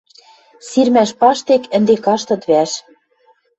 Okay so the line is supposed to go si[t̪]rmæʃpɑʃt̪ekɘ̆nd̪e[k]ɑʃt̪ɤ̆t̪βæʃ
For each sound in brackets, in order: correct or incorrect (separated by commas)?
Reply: incorrect, correct